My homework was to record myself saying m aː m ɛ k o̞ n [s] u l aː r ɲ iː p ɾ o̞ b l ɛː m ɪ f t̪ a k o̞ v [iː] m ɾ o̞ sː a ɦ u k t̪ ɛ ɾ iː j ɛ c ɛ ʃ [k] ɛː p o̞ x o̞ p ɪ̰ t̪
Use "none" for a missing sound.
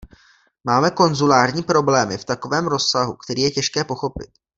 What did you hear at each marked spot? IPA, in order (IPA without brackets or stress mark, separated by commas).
z, ɛː, k